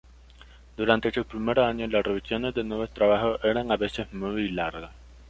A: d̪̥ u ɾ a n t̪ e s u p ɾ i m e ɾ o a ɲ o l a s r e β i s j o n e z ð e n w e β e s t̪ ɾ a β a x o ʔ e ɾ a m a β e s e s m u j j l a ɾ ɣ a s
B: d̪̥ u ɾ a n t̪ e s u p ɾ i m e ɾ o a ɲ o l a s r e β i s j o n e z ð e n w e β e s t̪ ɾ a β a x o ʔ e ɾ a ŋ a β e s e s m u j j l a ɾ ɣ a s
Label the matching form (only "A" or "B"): B